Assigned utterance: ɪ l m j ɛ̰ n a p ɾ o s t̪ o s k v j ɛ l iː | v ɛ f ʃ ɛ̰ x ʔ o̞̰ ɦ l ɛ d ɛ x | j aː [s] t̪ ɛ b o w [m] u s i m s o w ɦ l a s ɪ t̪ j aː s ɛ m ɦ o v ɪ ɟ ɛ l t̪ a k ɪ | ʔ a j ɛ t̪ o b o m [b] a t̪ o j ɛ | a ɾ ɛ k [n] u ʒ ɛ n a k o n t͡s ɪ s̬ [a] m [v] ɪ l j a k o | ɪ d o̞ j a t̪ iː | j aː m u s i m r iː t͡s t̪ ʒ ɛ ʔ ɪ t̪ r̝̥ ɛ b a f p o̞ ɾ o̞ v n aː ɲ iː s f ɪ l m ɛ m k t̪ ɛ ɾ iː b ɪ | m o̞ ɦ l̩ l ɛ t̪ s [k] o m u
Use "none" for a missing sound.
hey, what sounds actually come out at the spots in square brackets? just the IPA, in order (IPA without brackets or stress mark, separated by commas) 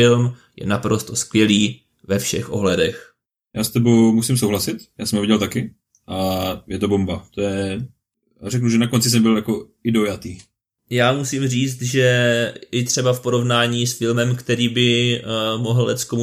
s, m, b, n, ɛ, b, k